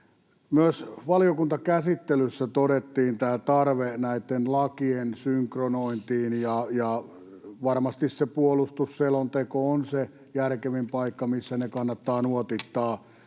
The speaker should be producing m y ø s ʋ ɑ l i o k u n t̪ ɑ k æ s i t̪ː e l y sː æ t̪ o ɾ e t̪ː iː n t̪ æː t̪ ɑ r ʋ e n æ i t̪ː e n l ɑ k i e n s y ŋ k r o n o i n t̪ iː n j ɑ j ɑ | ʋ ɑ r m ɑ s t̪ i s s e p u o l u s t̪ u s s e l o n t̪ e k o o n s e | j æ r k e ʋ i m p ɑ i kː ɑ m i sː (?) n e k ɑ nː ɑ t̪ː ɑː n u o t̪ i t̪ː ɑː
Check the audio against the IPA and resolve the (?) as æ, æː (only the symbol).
æ